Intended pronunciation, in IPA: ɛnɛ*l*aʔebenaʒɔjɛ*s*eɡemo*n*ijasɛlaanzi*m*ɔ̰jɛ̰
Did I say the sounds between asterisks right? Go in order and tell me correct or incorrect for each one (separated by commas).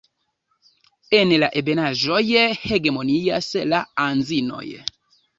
correct, incorrect, correct, incorrect